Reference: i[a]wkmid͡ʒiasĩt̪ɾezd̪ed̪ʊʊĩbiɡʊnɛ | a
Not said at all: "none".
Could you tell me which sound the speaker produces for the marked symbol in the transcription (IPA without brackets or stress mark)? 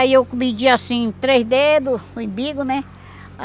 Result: e